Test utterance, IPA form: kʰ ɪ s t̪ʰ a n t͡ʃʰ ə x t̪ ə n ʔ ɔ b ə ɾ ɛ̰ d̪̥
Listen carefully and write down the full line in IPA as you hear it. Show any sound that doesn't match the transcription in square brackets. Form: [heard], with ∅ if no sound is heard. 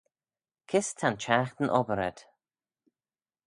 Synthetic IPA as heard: kʰ ɪ s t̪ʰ a n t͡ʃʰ [a] x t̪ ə n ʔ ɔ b ə ɾ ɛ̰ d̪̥